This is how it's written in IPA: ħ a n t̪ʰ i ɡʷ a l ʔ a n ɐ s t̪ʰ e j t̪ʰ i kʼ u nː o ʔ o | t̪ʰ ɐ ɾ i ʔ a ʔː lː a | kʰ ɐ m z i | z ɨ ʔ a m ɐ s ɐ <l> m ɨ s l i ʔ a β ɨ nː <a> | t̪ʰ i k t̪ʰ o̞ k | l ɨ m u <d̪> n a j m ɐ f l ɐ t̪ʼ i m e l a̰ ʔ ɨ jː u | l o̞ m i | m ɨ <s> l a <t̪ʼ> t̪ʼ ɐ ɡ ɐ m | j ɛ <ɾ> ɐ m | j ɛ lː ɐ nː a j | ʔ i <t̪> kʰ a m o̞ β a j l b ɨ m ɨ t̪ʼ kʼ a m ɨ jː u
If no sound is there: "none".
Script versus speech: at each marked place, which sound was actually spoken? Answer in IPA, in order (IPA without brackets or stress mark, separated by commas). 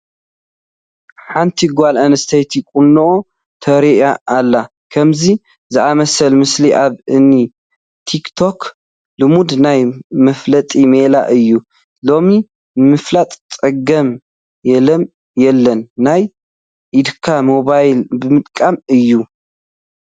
l, i, d̪, f, t̪ʼ, l, d̪